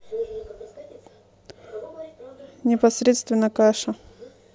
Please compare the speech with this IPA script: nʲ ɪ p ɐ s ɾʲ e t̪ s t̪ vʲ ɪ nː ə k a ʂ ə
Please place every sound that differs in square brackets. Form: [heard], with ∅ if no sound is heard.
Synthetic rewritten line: nʲ ɪ p ɐ s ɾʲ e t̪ s t̪ vʲ ɪ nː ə k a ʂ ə